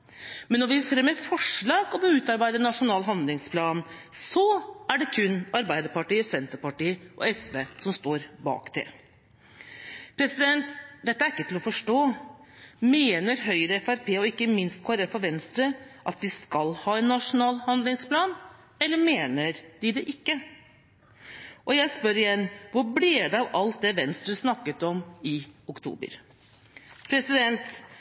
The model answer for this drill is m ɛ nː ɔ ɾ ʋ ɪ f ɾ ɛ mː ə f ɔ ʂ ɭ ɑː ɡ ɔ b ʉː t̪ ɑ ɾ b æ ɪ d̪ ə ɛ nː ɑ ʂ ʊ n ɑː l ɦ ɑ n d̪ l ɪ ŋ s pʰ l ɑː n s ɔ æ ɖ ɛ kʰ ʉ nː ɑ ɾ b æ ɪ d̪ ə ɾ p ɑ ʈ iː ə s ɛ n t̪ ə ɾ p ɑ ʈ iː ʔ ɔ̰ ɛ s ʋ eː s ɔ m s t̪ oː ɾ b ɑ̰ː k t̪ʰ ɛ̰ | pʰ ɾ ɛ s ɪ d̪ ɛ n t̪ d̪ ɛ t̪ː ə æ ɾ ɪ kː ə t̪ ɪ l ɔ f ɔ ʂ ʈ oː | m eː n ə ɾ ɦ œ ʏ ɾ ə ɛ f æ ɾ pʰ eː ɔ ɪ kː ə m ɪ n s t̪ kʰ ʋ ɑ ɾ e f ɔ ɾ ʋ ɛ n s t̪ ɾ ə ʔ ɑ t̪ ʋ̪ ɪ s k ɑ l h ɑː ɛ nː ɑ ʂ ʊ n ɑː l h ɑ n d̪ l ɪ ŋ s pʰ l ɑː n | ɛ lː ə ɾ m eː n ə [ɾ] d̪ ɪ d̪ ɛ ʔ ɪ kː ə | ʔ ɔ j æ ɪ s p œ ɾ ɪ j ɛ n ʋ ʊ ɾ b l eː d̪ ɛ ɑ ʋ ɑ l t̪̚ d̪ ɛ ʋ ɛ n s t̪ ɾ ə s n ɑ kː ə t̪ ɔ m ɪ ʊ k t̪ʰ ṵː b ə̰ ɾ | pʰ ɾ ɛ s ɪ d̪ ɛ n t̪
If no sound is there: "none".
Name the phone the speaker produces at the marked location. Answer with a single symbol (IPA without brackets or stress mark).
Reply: ɾ